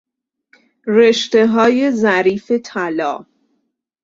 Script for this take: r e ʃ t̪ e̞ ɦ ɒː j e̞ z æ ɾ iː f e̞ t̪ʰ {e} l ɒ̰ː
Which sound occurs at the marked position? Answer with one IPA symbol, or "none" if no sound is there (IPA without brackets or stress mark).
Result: æ